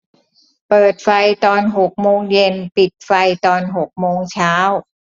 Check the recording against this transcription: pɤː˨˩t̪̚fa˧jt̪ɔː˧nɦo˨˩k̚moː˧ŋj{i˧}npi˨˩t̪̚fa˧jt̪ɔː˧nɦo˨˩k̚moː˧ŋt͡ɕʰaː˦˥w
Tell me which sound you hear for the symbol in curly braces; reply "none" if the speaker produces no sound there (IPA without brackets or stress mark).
e˧